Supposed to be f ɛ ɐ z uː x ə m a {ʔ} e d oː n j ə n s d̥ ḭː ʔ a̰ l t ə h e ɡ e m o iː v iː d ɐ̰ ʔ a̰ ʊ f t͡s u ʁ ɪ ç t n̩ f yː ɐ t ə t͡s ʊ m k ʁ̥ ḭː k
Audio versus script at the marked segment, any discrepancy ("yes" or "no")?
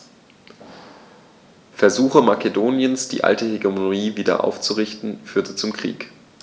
yes